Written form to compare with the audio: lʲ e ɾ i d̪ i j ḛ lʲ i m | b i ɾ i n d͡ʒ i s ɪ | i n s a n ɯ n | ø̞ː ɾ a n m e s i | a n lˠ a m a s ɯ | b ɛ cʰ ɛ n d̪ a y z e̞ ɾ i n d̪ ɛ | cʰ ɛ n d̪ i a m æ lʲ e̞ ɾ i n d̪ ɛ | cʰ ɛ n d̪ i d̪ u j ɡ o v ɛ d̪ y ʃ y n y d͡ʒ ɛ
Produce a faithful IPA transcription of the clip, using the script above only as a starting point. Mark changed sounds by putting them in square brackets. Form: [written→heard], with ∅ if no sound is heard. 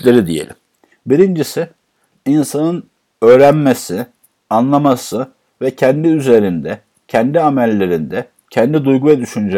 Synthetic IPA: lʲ e ɾ i d̪ i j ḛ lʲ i m | b i ɾ i n d͡ʒ i s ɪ | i n s a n ɯ n | ø̞ː ɾ [a→æ] n m e s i | a n lˠ a m a s ɯ | [b→v] ɛ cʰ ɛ n d̪ [a→i] y z e̞ ɾ i n d̪ ɛ | cʰ ɛ n d̪ i a m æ [lʲ→lʲː] e̞ ɾ i n d̪ ɛ | cʰ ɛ n d̪ i d̪ u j ɡ [o→u] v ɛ d̪ y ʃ y n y d͡ʒ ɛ